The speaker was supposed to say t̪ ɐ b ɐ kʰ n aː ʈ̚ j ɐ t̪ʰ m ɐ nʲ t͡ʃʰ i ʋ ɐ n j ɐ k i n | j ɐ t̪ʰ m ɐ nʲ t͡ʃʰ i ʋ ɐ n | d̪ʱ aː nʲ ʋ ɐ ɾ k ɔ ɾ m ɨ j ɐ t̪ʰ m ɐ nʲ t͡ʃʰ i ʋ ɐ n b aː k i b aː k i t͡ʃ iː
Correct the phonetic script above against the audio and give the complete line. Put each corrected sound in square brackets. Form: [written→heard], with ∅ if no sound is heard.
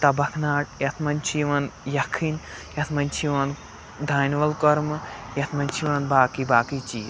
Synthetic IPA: t̪ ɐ b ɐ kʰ n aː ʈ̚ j ɐ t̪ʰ m ɐ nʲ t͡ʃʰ i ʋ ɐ n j ɐ [k→kʰ] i n | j ɐ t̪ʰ m ɐ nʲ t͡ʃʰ i ʋ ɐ n | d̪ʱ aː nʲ ʋ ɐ [ɾ→l] k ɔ ɾ m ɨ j ɐ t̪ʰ m ɐ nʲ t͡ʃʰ i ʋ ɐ n b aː k i b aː k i t͡ʃ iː

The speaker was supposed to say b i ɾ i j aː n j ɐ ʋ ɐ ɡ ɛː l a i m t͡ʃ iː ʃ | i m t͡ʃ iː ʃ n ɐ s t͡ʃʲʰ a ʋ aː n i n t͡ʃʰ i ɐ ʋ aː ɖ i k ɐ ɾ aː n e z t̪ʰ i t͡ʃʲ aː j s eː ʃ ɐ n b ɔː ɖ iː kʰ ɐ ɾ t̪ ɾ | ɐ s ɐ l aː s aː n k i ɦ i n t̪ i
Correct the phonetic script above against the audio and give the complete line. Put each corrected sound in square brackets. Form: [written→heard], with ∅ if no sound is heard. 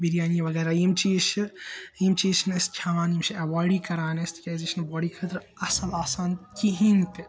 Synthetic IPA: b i ɾ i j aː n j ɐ ʋ ɐ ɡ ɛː [l→ɾ] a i m t͡ʃ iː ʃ | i m t͡ʃ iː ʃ n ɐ s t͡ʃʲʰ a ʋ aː n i [n→m] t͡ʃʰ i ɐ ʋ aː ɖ i k ɐ ɾ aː n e [z→s] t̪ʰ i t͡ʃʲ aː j [s→z] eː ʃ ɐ n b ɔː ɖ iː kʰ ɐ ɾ t̪ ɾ | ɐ s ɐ l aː s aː n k i ɦ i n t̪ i

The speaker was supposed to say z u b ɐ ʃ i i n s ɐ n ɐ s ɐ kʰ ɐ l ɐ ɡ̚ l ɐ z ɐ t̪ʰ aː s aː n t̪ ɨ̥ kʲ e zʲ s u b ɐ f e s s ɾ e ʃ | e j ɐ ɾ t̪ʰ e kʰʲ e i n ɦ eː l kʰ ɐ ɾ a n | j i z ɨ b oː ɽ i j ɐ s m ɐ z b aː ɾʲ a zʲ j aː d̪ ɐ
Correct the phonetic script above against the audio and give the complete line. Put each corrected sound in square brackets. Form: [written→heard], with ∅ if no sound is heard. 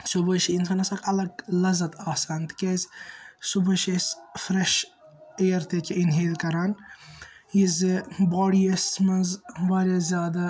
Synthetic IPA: [z→s] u b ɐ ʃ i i n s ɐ n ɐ s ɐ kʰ ɐ l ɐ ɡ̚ l ɐ z ɐ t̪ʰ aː s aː n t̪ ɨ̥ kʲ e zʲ s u b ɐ [f→ʃ] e s [s→f] ɾ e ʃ | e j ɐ ɾ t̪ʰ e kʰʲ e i n ɦ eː l [kʰ→k] ɐ ɾ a n | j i z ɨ b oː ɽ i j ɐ s m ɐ z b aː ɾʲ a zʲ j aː d̪ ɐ

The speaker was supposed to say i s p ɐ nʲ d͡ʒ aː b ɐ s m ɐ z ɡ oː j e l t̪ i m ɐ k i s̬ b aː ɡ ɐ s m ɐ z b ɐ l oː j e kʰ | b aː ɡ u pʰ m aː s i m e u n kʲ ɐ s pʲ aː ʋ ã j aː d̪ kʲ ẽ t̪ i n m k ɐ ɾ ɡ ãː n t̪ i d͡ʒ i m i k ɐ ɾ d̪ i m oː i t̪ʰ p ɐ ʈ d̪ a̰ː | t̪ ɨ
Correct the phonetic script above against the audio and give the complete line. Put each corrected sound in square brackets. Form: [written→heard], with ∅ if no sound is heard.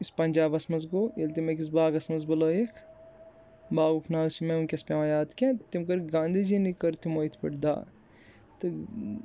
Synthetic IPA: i s p ɐ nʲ d͡ʒ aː b ɐ s m ɐ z ɡ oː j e l t̪ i m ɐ k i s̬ b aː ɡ ɐ s m ɐ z b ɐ l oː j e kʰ | b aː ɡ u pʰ [m→n] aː s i m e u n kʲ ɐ s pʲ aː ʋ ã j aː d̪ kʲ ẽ t̪ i [n→∅] m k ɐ ɾ ɡ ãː n [t̪→d̪] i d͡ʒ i [m→n] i k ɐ ɾ [d̪→t̪] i m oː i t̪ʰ p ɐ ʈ d̪ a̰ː | t̪ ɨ

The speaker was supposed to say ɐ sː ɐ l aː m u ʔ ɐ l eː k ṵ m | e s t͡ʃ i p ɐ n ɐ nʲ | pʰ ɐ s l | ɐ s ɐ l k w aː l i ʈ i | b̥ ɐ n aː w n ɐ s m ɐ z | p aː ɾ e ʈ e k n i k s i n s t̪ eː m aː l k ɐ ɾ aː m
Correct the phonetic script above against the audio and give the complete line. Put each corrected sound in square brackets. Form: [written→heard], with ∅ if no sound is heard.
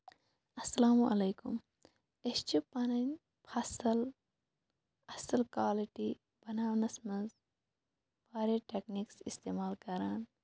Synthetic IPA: ɐ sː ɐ l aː m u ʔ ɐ l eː k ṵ m | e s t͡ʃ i p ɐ n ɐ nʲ | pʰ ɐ s l | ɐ s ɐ l k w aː l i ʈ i | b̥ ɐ n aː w n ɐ s m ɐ z | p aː ɾ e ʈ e k n i k s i [n→∅] s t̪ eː m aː l k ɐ ɾ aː [m→n]

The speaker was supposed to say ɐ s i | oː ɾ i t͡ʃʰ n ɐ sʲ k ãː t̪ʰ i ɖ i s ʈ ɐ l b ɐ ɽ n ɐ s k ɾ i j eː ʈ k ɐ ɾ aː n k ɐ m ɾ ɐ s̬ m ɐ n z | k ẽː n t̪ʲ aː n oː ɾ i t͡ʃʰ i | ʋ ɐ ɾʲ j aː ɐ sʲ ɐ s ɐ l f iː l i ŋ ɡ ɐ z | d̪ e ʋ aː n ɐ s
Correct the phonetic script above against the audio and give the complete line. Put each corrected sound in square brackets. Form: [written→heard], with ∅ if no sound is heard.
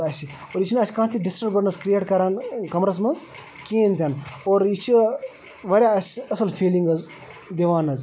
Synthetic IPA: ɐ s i | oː ɾ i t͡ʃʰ n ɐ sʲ k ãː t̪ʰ i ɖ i s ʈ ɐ [l→ɾ] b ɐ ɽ n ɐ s k ɾ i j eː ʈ k ɐ ɾ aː n k ɐ m ɾ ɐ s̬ m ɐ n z | k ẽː n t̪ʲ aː n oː ɾ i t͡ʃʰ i | ʋ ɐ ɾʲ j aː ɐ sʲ ɐ s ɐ l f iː l i ŋ ɡ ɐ z | d̪ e ʋ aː n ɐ [s→z]

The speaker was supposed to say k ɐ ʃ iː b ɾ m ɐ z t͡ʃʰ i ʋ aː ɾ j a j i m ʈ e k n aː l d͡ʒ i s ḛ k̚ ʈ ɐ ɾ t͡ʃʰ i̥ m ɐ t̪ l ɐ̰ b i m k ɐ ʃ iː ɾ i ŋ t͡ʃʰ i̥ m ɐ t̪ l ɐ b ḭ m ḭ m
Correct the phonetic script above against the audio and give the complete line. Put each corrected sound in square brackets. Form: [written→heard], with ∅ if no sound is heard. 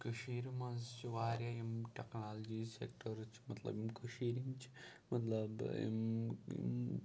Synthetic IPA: k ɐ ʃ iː [b→∅] ɾ m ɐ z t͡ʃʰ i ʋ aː ɾ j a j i m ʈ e k n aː l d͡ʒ i s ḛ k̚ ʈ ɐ ɾ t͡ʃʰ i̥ m ɐ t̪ l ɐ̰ b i m k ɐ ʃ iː ɾ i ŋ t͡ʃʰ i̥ m ɐ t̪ l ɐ b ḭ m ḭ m

